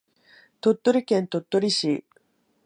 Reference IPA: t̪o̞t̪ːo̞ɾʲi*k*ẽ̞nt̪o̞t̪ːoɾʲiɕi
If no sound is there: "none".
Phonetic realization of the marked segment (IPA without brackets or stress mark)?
k